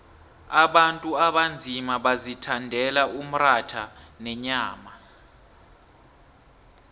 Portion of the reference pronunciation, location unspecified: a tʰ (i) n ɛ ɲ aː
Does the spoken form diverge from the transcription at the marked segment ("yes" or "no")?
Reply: yes